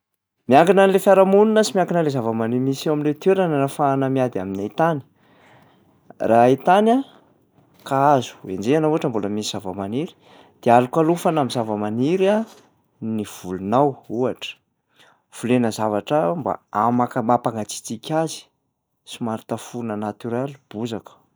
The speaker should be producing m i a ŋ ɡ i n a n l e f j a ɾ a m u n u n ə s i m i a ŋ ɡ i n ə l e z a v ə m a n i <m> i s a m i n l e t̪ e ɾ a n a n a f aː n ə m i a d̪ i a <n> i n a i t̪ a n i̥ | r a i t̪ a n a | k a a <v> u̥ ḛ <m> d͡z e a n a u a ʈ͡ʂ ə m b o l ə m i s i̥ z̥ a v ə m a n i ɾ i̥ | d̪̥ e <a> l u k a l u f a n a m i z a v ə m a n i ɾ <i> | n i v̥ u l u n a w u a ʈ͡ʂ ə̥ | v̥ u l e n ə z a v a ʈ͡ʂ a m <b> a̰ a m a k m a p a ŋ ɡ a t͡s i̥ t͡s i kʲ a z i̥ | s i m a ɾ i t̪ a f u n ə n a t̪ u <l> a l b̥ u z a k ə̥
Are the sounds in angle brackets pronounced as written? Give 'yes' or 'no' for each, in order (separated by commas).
yes, no, no, no, yes, no, yes, no